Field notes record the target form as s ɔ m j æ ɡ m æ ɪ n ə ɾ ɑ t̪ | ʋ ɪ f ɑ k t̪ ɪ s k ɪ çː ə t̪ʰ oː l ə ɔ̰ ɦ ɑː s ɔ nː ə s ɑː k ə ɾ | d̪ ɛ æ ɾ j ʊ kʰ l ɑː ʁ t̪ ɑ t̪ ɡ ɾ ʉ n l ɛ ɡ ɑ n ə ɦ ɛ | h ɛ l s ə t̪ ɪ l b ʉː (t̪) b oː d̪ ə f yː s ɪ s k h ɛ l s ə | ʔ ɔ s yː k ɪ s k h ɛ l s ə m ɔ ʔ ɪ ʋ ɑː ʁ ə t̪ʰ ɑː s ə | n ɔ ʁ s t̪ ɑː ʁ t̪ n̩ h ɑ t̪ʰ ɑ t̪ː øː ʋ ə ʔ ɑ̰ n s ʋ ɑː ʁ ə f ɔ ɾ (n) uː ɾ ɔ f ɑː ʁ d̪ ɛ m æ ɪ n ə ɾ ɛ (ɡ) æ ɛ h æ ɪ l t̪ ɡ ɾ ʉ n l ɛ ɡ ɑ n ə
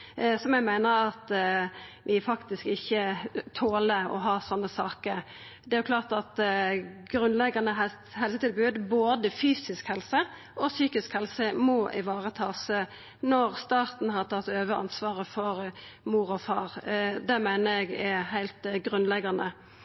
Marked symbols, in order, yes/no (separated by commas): no, no, yes